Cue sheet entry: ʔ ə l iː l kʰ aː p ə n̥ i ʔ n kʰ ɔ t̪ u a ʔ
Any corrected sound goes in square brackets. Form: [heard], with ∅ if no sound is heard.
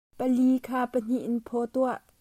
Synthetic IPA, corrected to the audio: [p] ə l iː [∅] kʰ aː p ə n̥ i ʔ n [pʰ] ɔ t̪ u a ʔ